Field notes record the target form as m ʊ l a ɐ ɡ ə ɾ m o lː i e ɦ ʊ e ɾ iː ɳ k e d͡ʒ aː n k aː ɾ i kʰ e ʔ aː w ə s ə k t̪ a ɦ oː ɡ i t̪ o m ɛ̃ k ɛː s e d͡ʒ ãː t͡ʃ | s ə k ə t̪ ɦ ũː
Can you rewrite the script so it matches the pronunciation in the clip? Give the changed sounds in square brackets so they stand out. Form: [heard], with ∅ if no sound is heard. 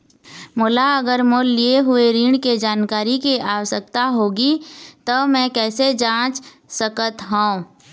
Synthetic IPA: m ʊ l a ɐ ɡ ə ɾ m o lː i e ɦ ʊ e ɾ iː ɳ k e d͡ʒ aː n k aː ɾ i [k] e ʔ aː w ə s ə k t̪ a ɦ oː ɡ i t̪ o m ɛ̃ k ɛː s e d͡ʒ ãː t͡ʃ | s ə k ə t̪ ɦ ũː